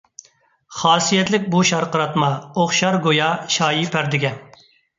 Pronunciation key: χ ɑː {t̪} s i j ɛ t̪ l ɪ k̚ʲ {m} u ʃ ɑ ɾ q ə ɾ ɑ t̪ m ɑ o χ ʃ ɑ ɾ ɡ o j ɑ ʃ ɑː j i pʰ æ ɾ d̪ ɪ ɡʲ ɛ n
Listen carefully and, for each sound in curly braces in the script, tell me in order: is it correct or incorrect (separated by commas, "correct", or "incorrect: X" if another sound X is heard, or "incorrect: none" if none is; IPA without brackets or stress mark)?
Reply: incorrect: none, incorrect: b